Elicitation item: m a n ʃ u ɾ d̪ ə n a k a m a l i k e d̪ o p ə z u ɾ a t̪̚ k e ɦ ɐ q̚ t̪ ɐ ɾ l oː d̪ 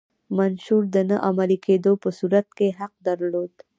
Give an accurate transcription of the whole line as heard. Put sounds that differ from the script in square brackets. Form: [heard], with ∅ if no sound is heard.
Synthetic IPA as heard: m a n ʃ u ɾ d̪ ə n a [ʔ] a m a l i k e d̪ o p ə [s] u ɾ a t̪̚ k e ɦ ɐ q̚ [d̪] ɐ ɾ l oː d̪